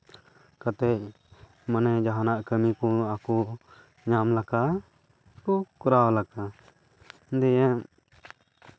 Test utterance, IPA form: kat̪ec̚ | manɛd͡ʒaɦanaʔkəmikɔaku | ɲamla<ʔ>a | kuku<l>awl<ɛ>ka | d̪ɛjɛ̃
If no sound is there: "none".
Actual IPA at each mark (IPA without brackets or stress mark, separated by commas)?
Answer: k, ɾ, a